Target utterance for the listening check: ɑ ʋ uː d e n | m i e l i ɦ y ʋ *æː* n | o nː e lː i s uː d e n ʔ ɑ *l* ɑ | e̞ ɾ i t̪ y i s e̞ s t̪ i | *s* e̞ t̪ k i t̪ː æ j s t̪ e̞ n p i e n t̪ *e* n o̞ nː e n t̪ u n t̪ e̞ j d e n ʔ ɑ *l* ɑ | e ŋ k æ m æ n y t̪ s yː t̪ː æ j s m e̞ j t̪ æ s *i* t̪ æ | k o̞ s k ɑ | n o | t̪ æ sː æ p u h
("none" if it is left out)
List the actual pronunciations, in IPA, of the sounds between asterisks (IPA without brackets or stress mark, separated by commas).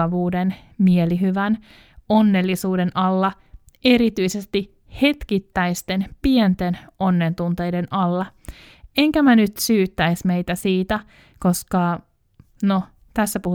æ, lː, h, e, lː, iː